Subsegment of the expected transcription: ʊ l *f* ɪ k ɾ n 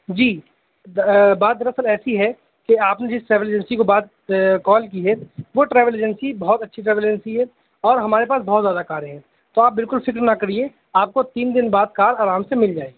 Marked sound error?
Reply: no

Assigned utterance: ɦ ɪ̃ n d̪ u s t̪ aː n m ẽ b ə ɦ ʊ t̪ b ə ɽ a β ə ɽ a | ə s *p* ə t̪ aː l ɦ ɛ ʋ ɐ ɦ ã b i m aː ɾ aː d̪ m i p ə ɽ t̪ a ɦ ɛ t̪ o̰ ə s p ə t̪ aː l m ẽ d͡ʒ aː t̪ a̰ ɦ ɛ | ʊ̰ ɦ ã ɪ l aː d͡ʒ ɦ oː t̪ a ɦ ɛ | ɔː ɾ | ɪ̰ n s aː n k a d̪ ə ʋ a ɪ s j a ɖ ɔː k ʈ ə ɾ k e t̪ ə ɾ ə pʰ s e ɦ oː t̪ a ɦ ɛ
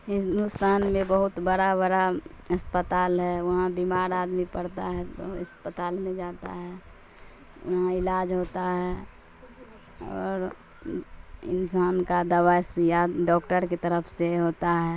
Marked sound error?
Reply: no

